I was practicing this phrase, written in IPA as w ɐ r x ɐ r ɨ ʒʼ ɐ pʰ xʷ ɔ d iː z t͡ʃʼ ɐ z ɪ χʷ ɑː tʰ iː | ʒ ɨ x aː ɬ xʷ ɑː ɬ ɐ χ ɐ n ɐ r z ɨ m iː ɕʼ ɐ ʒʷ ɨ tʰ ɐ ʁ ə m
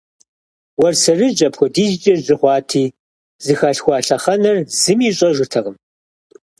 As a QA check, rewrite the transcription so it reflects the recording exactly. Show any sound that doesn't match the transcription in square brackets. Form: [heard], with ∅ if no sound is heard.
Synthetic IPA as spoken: w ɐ r [s] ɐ r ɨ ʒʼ ɐ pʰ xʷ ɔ d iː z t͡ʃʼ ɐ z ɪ χʷ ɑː tʰ iː | [z] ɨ x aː ɬ xʷ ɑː ɬ ɐ χ ɐ n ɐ r z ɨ m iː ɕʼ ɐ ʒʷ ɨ tʰ ɐ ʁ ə m